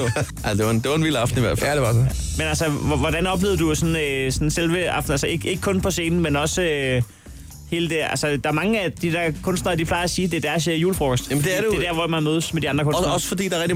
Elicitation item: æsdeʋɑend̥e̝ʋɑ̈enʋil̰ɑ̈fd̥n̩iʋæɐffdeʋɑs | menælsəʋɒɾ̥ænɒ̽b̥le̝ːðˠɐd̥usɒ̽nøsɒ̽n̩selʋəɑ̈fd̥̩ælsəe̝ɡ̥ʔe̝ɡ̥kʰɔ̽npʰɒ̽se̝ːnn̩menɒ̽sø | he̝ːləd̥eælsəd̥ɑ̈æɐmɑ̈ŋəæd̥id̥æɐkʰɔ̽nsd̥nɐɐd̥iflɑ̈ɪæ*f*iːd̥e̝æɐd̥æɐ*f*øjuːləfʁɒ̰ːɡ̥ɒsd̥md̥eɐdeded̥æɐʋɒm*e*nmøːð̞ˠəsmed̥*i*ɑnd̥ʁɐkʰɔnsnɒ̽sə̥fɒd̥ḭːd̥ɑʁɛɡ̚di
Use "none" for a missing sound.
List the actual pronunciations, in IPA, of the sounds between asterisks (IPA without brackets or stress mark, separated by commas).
s, s, æ, i